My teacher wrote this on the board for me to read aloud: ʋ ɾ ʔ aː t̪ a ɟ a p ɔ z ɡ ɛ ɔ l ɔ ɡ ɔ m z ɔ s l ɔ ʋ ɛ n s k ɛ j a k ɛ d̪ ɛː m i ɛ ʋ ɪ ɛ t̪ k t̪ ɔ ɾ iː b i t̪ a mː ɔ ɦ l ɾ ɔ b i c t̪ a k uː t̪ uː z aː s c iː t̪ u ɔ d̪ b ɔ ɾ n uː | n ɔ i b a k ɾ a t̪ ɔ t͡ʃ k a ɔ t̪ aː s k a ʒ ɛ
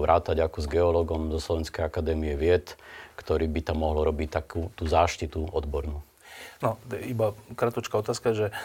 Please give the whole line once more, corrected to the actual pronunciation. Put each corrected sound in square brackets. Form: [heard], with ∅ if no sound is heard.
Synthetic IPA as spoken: ʋ ɾ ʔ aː t̪ a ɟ a [k] ɔ z ɡ ɛ ɔ l ɔ ɡ ɔ m z ɔ s l ɔ ʋ ɛ n s k ɛ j a k [a] d̪ ɛː m i ɛ ʋ ɪ ɛ t̪ k t̪ ɔ ɾ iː b i t̪ a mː ɔ ɦ l ɾ ɔ b i c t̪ a k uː t̪ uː z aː [ʃ] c [i] t̪ u ɔ d̪ b ɔ ɾ n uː | n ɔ i b a k ɾ a t̪ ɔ t͡ʃ k a ɔ t̪ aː s k a ʒ ɛ